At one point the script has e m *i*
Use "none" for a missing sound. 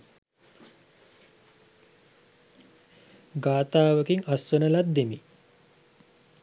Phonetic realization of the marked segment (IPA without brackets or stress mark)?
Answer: i